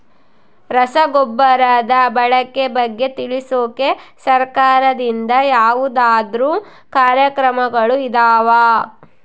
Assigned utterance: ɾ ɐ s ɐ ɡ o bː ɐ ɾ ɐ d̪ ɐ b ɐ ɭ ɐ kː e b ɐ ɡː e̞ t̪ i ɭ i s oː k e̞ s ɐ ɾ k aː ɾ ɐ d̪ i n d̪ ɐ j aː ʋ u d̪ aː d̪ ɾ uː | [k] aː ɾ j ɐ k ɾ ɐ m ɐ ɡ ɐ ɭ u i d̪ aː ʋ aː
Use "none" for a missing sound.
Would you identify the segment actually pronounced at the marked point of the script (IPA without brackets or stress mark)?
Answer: k